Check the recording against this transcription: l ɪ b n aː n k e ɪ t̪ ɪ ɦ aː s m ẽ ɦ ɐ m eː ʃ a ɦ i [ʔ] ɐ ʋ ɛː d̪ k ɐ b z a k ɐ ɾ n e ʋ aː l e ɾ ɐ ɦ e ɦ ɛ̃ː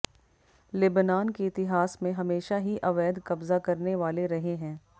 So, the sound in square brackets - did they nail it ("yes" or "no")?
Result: yes